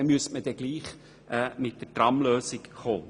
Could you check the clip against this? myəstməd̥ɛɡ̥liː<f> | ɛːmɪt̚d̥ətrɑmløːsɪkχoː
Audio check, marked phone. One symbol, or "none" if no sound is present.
χ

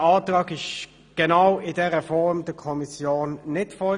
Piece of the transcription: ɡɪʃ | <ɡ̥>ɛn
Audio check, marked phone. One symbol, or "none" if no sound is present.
ɡ̥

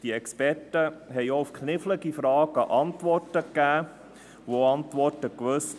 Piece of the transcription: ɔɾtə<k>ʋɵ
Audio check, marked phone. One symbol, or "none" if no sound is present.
k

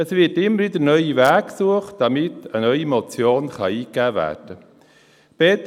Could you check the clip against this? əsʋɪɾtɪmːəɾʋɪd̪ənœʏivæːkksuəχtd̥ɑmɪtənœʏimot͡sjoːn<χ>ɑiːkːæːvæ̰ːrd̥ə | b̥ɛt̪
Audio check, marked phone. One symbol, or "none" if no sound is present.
χ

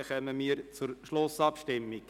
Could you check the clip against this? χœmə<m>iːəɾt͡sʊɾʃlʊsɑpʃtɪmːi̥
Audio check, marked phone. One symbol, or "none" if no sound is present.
m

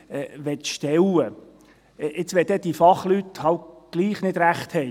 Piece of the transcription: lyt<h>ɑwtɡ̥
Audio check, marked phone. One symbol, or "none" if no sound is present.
h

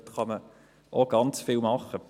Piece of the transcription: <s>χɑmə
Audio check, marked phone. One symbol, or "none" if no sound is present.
t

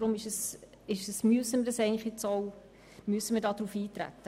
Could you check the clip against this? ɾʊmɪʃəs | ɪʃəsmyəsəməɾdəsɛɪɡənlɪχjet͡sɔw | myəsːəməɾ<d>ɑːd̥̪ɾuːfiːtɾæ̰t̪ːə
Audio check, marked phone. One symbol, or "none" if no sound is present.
d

